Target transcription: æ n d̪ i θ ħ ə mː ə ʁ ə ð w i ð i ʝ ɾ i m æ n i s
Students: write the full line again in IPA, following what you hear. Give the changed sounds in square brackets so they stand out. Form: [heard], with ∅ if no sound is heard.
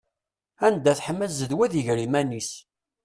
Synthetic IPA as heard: æ n d̪ [æ] θ ħ ə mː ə [z] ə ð w [æ] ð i ʝ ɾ i m æ n i s